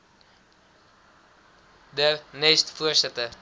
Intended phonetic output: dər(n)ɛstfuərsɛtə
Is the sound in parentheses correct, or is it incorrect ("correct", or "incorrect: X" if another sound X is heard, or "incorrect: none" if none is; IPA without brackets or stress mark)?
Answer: correct